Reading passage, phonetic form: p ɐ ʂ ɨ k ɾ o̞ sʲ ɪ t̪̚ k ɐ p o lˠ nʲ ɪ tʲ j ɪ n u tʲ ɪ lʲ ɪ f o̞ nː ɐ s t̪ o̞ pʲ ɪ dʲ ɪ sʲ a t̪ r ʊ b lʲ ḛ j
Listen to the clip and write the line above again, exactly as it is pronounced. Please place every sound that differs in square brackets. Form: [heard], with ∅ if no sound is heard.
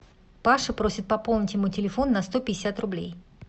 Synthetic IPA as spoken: p [a] ʂ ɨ [p] ɾ o̞ sʲ ɪ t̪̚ [p] ɐ p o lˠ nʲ ɪ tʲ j ɪ [m] u tʲ ɪ lʲ ɪ f o̞ nː ɐ s t̪ o̞ pʲ ɪ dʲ ɪ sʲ a t̪ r ʊ b lʲ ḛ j